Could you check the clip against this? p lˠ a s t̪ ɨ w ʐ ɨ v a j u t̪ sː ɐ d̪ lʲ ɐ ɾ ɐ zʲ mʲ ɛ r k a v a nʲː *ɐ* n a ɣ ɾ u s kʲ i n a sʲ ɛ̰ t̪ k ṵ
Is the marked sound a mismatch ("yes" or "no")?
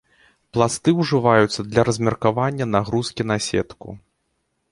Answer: no